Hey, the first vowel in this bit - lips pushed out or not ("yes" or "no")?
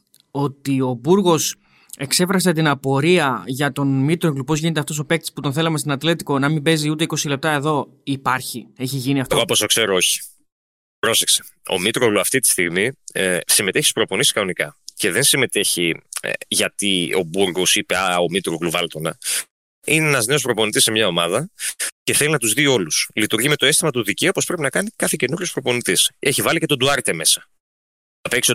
yes